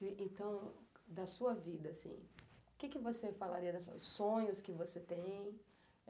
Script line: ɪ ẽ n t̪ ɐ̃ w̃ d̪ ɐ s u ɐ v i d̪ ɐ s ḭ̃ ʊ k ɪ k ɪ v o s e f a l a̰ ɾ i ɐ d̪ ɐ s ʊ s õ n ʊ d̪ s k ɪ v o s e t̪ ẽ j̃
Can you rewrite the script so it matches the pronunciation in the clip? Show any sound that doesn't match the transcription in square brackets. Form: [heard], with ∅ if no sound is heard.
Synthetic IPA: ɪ ẽ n t̪ ɐ̃ w̃ d̪ ɐ s u ɐ v i d̪ ɐ s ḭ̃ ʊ k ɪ k ɪ v o s e f a l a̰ ɾ i ɐ d̪ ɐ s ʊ s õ [ɲ] ʊ [∅] s k ɪ v o s e t̪ ẽ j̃